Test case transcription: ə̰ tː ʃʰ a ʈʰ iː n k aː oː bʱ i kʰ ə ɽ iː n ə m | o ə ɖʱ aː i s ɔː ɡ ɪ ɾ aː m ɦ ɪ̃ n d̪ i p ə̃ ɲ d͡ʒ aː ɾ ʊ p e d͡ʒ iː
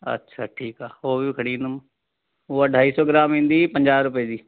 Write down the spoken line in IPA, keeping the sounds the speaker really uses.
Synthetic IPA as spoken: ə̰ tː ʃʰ a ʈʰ iː k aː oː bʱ i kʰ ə ɽ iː n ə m | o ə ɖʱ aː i s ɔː ɡ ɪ ɾ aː m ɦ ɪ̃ n d̪ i p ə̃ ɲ d͡ʒ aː ɾ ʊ p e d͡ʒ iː